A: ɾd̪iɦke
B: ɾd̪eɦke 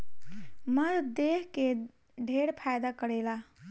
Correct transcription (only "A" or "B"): B